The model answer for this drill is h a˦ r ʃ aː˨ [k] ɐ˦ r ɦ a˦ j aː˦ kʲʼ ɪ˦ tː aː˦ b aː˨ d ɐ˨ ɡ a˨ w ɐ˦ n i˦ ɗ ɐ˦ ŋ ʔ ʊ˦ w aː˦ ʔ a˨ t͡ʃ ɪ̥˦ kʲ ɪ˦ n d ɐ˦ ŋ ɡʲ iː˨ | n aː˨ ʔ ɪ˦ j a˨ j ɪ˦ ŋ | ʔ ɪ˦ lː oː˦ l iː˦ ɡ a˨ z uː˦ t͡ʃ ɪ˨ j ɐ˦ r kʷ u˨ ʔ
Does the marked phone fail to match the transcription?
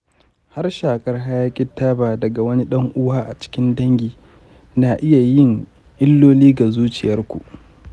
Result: yes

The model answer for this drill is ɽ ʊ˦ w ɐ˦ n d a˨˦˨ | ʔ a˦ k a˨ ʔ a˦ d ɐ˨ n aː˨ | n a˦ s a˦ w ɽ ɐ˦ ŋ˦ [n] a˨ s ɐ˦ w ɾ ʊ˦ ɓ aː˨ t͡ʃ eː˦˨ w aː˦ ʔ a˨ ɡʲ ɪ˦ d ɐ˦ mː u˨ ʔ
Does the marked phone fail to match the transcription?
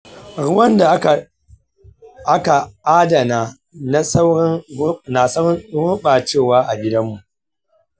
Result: no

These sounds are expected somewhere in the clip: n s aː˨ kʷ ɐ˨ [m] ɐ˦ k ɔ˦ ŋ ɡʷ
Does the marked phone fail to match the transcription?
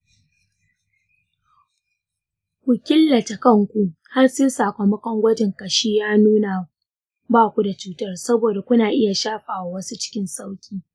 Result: no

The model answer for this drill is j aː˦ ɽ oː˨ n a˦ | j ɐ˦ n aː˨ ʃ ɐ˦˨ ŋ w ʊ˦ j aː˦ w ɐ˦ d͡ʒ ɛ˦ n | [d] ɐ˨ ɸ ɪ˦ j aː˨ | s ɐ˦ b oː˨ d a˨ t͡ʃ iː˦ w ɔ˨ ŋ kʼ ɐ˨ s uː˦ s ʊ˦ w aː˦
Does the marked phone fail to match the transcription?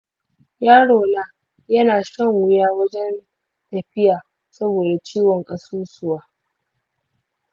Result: yes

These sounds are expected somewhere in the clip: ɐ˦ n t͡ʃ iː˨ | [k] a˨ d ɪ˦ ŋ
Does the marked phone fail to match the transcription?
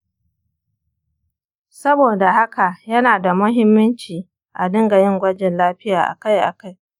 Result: yes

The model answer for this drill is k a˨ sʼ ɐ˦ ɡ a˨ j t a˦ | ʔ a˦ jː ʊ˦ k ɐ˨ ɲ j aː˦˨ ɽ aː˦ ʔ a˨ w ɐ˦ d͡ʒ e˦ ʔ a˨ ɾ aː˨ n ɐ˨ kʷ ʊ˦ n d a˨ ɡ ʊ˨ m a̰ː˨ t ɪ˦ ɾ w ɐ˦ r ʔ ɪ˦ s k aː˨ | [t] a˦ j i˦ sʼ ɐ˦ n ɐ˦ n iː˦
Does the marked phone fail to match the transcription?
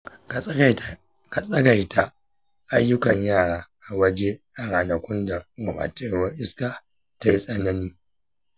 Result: no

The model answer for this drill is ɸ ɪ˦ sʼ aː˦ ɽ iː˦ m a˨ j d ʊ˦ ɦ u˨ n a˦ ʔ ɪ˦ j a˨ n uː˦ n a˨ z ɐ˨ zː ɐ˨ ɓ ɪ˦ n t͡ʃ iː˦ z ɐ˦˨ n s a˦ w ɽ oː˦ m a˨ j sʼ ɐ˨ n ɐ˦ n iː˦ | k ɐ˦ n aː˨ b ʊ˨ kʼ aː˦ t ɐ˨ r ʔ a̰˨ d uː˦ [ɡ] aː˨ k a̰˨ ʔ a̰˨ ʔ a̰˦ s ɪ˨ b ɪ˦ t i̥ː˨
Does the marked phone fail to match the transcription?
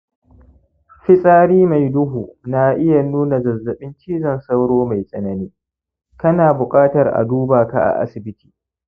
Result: yes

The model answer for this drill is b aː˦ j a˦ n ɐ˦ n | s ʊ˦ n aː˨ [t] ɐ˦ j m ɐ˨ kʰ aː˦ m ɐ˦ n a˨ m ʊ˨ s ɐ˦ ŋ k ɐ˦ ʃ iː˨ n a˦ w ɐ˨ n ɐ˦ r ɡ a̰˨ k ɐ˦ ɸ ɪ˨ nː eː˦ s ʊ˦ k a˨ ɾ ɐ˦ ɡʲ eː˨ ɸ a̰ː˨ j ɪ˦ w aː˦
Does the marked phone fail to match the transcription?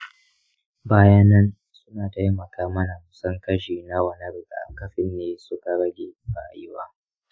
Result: no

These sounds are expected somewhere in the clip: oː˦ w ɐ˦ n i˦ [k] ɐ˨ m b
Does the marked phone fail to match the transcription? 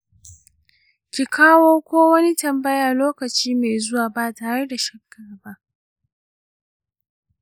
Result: yes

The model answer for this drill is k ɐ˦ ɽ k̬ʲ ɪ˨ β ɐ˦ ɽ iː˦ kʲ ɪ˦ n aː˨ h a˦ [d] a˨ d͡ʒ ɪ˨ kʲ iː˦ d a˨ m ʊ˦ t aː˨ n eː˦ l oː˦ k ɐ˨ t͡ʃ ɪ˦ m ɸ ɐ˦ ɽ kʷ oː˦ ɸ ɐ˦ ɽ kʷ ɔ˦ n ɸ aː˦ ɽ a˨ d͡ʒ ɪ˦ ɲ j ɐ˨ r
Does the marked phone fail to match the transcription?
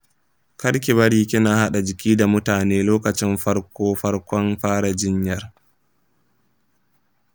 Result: yes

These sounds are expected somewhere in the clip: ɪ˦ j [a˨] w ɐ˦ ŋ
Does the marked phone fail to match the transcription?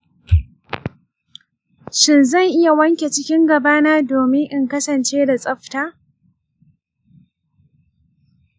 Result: no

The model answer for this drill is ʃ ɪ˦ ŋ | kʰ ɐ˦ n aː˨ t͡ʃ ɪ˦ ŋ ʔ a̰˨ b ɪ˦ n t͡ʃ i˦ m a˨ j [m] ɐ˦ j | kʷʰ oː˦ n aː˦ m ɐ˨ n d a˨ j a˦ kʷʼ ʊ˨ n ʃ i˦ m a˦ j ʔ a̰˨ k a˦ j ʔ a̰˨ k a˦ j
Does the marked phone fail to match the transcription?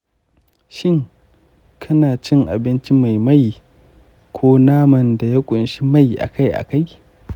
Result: no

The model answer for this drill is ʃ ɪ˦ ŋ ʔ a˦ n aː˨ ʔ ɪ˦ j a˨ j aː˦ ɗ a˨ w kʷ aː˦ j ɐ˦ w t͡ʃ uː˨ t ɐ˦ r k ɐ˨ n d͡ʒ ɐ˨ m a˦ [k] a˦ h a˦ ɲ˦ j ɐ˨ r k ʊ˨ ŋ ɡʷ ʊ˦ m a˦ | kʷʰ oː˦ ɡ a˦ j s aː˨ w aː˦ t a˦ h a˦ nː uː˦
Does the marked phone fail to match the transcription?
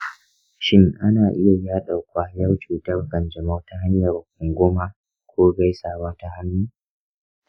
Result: yes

